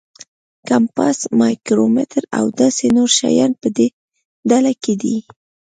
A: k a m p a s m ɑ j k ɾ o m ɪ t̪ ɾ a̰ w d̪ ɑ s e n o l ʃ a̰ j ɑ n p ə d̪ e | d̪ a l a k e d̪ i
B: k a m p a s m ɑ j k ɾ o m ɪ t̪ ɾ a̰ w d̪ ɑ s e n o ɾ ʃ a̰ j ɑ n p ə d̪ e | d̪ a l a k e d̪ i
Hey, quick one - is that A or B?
B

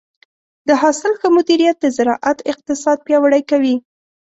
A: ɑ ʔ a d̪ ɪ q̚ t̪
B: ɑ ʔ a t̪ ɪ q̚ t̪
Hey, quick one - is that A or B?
B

